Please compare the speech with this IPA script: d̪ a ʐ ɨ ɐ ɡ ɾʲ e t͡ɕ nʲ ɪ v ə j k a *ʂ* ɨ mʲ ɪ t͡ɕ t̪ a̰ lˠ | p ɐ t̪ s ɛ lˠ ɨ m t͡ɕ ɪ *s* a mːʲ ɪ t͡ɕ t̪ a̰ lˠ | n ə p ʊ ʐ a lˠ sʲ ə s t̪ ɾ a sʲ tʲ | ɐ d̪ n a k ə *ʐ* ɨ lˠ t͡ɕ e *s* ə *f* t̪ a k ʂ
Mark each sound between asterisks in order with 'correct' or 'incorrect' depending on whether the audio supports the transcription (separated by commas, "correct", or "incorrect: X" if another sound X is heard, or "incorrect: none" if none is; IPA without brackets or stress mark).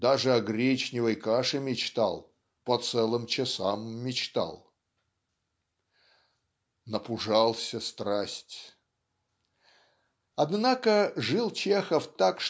correct, correct, correct, incorrect: x, correct